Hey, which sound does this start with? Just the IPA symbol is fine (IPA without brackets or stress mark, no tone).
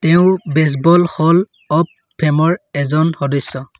t